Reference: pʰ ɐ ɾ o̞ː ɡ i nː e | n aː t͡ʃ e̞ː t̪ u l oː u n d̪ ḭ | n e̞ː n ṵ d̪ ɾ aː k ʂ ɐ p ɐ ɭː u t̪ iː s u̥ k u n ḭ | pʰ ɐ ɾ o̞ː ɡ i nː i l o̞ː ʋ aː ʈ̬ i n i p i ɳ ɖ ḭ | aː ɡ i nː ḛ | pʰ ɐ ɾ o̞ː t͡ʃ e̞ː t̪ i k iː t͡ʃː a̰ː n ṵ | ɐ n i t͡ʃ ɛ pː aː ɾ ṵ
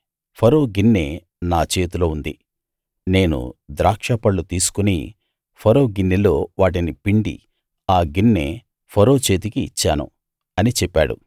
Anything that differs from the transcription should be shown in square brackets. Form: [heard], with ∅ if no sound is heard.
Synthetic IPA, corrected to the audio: pʰ ɐ ɾ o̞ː ɡ i nː e | n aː t͡ʃ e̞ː t̪ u l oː u n d̪ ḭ | n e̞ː n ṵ d̪ ɾ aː k ʂ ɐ p ɐ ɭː u t̪ iː s u̥ k u n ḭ | pʰ ɐ ɾ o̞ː ɡ i nː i l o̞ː ʋ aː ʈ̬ i n i p i ɳ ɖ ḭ | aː ɡ i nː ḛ | pʰ ɐ ɾ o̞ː t͡ʃ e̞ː t̪ i k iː t͡ʃː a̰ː n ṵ | ɐ n i t͡ʃ ɛ pː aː [ɽ] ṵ